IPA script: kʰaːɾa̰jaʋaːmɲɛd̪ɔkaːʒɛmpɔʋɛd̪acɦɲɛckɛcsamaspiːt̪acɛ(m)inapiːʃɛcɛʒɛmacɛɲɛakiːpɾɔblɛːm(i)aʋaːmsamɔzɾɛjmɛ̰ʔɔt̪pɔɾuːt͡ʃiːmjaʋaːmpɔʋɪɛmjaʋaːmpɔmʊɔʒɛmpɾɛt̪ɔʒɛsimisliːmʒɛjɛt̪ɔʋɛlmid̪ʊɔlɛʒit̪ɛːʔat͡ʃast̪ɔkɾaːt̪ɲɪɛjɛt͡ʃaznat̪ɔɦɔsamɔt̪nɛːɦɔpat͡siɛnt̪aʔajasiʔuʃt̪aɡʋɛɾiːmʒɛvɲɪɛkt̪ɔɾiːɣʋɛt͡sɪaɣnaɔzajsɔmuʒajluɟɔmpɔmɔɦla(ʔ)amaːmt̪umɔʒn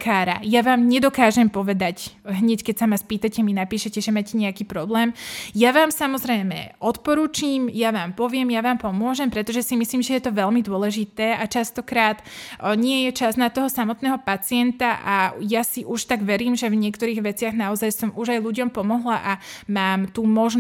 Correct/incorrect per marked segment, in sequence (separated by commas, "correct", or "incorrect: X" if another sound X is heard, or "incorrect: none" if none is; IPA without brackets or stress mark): correct, incorrect: j, correct